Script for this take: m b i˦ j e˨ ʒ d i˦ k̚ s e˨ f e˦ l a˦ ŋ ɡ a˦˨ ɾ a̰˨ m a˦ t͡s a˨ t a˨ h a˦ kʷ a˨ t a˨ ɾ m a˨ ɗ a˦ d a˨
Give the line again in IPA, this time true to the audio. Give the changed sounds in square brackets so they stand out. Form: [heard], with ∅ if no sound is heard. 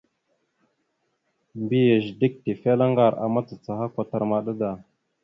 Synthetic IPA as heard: m b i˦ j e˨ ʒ d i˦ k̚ [t] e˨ f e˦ l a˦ ŋ ɡ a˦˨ ɾ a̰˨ m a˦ t͡s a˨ [t͡s] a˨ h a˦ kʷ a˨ t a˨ ɾ m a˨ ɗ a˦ d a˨